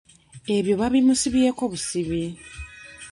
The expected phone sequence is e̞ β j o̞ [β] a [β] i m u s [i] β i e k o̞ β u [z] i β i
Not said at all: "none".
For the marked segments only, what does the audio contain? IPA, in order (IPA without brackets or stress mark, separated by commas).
β, β, i, s